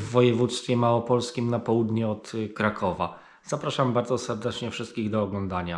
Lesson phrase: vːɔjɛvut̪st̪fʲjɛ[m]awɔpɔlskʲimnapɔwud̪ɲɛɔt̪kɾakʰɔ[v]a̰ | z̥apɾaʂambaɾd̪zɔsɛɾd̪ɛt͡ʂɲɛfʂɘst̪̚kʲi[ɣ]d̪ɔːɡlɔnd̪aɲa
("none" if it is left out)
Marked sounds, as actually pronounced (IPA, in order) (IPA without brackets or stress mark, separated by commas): m, v, ɣ